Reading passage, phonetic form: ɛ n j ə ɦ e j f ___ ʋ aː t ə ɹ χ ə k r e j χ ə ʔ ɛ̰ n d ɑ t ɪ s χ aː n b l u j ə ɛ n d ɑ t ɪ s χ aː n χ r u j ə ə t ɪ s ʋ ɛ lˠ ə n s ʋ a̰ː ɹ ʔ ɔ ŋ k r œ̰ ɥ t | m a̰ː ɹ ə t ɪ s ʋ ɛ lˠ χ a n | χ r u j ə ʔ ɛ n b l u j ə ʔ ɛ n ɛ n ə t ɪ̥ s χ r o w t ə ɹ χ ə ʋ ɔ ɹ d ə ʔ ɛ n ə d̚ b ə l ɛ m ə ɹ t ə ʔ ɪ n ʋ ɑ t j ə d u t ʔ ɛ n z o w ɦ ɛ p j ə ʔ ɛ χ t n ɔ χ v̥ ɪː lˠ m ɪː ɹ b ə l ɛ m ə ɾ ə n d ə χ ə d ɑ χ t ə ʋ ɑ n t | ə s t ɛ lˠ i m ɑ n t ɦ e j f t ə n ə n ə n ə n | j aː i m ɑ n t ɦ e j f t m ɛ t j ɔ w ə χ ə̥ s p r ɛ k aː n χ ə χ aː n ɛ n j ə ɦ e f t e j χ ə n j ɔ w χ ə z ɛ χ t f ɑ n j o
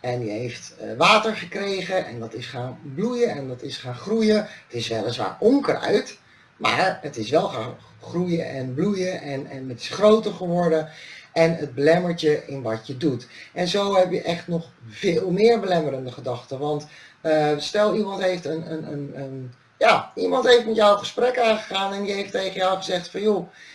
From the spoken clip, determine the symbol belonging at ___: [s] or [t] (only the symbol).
t